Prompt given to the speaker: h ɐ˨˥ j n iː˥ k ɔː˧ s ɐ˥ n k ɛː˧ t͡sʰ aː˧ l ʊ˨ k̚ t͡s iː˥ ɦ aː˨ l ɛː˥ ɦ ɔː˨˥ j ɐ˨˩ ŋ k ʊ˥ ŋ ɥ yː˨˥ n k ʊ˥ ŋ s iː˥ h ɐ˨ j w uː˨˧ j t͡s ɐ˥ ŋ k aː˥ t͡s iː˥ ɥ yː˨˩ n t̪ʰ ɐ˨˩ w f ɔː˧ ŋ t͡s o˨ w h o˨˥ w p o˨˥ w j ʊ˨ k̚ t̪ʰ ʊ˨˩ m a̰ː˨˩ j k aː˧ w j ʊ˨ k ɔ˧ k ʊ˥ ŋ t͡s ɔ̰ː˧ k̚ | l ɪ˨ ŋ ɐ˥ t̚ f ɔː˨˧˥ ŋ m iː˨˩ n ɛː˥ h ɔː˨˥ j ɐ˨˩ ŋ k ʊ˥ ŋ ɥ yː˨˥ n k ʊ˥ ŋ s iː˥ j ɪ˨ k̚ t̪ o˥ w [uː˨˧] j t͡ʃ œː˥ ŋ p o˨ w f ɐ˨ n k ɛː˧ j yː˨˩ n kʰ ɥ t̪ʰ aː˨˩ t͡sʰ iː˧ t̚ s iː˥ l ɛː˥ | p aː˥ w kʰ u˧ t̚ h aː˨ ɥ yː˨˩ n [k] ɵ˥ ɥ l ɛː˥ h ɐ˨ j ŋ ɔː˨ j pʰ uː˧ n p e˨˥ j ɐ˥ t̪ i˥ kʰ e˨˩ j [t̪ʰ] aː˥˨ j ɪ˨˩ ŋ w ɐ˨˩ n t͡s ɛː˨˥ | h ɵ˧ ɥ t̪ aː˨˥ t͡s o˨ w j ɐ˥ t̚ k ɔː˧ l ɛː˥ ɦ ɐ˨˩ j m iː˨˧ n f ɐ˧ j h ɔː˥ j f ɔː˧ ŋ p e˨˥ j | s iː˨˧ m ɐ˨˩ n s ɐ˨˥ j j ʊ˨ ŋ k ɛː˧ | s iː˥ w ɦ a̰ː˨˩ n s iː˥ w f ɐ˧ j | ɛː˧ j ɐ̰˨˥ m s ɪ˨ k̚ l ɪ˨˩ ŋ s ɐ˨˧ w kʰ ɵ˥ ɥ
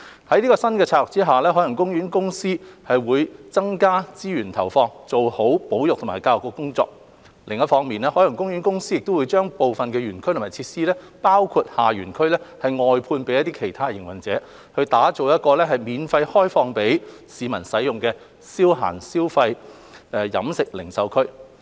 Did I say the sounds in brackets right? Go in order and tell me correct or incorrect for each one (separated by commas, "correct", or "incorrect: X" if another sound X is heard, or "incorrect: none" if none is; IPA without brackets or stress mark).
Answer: incorrect: u˨˧, incorrect: kʰ, correct